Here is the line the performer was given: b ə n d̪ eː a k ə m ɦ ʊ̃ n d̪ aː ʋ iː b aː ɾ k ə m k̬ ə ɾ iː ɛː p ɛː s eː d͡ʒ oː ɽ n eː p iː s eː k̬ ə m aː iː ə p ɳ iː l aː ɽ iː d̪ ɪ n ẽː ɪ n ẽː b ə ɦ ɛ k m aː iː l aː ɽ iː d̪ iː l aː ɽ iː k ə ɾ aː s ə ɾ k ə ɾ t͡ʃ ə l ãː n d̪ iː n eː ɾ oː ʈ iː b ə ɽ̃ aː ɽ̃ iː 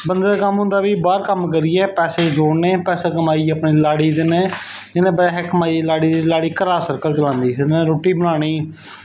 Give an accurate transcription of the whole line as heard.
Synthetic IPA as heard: b ə n d̪ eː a k ə m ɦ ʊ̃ n d̪ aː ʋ iː b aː ɾ k ə m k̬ ə ɾ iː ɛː p ɛː s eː d͡ʒ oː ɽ n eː p ɛː s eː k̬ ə m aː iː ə p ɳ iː l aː ɽ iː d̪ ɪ n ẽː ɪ n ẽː b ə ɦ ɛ k m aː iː l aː ɽ iː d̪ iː l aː ɽ iː k ə ɾ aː s ə ɾ k ə l t͡ʃ ə l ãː n d̪ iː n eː ɾ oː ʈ iː b ə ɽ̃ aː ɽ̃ iː